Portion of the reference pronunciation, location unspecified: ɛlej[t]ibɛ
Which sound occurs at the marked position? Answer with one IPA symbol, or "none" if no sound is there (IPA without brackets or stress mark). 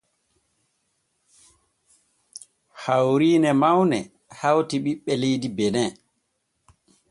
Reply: d